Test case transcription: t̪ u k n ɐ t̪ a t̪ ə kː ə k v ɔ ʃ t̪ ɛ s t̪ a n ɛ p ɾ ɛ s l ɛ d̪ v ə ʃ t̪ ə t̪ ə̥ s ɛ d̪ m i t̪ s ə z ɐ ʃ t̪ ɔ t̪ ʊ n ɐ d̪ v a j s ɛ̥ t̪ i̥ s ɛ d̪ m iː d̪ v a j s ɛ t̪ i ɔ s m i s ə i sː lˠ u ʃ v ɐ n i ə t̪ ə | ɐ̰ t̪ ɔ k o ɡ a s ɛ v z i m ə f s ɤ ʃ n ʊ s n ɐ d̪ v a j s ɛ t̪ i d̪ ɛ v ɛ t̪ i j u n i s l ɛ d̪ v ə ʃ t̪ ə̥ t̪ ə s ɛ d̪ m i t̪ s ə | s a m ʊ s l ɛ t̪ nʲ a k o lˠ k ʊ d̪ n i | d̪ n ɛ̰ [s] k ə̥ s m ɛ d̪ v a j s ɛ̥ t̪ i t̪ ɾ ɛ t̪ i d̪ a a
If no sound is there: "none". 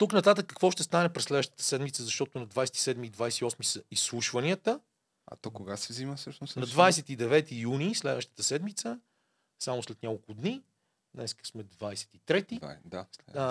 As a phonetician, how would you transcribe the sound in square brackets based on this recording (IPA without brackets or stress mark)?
s